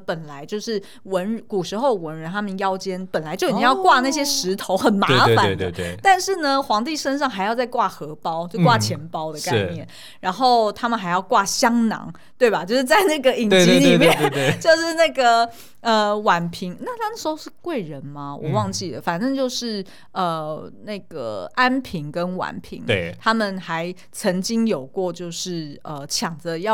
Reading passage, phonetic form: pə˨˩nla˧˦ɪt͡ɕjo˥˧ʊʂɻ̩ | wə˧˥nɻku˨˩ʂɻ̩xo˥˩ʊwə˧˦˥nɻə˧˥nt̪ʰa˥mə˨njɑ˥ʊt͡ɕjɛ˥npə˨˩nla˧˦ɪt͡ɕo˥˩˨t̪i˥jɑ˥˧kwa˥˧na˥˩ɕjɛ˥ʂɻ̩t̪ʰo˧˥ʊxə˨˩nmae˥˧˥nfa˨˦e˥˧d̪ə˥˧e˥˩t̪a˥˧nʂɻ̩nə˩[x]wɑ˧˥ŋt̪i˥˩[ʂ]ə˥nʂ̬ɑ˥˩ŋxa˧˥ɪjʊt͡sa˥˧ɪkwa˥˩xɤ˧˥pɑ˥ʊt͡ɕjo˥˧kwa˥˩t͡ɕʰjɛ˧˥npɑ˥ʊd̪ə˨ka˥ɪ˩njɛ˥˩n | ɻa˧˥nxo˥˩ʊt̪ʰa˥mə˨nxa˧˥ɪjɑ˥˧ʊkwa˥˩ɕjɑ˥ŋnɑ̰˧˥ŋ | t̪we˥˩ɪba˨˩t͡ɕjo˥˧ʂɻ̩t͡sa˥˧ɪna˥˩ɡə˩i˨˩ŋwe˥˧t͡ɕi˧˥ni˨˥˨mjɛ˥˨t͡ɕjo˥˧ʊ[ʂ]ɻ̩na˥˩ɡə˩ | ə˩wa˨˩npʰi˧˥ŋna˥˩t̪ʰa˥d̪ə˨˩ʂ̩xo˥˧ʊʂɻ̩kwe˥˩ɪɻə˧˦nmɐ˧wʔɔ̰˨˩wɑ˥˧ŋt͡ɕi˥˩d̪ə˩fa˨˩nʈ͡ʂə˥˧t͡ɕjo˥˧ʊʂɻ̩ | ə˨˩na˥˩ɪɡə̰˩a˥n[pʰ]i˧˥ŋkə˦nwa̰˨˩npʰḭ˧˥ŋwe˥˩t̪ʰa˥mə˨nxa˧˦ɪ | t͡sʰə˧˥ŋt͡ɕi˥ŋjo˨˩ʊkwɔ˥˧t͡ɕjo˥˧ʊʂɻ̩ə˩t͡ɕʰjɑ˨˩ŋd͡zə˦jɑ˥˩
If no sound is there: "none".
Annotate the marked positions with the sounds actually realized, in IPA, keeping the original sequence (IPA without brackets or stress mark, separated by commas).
x, ʂ, ʂ, pʰ